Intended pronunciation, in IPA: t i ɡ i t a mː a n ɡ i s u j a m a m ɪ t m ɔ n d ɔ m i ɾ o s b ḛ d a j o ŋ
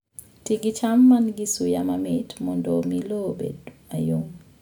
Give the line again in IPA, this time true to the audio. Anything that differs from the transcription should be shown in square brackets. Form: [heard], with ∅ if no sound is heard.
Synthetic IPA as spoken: t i ɡ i [t͡ʃ] a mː a n ɡ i s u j a m a m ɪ t m ɔ n d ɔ m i [l] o [∅] b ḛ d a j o ŋ